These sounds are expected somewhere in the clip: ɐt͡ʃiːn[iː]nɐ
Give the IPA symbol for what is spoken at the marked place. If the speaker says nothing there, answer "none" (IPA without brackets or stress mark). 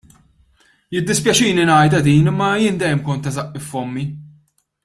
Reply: i